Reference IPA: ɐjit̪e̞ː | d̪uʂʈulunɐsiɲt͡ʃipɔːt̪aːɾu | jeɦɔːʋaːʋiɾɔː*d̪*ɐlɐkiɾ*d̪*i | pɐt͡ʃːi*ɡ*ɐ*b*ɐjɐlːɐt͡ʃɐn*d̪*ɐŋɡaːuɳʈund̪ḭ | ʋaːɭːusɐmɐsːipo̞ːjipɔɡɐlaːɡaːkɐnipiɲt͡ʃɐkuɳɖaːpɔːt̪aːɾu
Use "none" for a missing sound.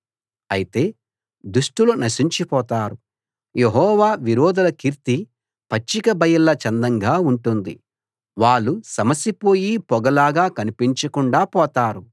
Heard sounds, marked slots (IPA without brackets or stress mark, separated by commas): d̪, t̪, k, b, d̪